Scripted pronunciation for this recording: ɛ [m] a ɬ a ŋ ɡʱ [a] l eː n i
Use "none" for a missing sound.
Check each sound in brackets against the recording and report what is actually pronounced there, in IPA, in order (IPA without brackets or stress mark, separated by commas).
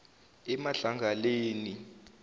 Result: m, a